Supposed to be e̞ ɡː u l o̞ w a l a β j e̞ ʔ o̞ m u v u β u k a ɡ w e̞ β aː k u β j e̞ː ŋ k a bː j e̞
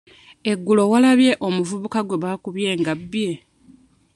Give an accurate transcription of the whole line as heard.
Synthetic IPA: e̞ ɡː u l o̞ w a l a β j e̞ ʔ o̞ m u v u β u k a ɡ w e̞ β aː k u β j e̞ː ŋ ɡ a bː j e̞